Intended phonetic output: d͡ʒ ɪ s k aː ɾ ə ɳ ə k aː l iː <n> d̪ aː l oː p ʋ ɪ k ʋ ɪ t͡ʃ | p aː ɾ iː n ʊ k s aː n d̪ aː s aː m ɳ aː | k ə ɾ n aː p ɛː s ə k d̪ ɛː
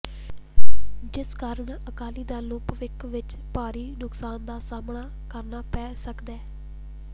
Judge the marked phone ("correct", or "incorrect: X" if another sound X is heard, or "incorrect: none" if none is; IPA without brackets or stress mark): incorrect: none